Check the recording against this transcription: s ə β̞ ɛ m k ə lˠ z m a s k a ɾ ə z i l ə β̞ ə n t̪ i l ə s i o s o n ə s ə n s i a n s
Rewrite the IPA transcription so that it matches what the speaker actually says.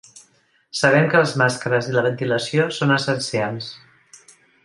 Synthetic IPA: s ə β̞ ɛ m k ə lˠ z m a s k ə ɾ ə z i l ə β̞ ə n t̪ i l ə s i o s o n ə s ə n s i a n s